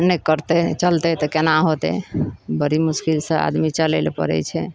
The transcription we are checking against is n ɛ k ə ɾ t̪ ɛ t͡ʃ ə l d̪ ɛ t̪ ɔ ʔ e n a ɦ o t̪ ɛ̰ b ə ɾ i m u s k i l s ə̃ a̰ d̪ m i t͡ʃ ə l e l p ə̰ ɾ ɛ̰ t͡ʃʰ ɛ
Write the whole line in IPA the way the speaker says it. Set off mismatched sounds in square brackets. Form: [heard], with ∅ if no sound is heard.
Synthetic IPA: n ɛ k ə ɾ t̪ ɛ t͡ʃ ə l [t̪] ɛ t̪ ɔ [k] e n a ɦ o t̪ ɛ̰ b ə ɾ i m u s k i l s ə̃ a̰ d̪ m i t͡ʃ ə l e l p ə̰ ɾ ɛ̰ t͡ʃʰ ɛ